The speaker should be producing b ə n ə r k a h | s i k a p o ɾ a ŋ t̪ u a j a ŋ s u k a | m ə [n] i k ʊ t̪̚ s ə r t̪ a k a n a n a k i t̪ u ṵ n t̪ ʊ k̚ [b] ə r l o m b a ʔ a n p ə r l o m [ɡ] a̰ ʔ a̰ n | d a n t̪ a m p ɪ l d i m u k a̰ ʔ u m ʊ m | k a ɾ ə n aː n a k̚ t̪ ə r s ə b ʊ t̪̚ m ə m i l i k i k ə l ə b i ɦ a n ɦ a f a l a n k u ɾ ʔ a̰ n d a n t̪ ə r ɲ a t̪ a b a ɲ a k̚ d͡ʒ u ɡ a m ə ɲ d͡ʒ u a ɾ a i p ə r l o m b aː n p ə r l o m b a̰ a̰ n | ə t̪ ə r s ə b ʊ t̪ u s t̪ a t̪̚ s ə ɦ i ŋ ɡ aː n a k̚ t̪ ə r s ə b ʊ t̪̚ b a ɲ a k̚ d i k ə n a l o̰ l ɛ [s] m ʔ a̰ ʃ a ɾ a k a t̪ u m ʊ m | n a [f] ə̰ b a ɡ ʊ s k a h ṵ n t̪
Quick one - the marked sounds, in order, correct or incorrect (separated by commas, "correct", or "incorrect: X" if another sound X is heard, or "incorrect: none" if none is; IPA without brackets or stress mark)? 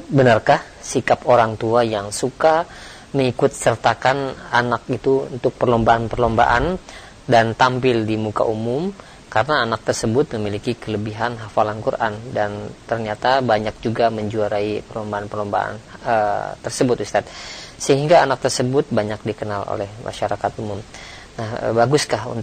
incorrect: ŋ, incorrect: p, incorrect: b, incorrect: h, incorrect: h